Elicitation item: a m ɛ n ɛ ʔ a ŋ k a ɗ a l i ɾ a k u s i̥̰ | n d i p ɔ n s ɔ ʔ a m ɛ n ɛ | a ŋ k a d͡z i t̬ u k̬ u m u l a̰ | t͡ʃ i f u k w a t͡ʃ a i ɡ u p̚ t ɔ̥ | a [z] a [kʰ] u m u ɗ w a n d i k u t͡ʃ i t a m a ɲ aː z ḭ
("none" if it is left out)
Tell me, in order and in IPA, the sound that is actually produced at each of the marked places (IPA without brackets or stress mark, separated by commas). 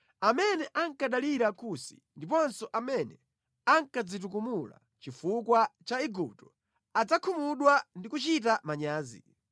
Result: d͡z, kʰ